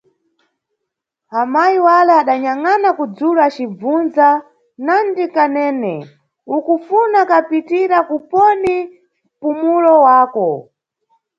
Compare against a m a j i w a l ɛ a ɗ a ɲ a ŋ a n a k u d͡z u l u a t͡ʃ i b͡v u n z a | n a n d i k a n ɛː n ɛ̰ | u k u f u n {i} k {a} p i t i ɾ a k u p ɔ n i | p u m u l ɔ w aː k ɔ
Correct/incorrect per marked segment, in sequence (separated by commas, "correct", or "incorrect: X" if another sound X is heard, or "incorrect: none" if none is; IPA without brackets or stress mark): incorrect: a, correct